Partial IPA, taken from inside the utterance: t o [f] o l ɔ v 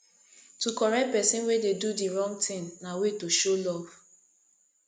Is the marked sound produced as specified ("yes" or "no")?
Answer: no